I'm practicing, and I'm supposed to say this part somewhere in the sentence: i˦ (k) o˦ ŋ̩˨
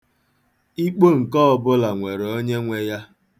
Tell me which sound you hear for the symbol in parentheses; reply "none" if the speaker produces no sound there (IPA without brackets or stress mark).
k͡p